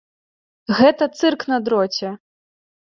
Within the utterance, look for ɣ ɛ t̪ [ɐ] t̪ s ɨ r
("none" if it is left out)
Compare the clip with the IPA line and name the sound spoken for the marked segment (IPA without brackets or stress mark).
ɐ